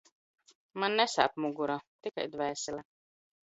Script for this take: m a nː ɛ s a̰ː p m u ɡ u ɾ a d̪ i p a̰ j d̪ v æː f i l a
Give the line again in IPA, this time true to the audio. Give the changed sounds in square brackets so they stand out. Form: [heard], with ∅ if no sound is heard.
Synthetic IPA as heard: m a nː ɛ s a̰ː p m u ɡ u ɾ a [t̪] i [k] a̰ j d̪ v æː [s] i l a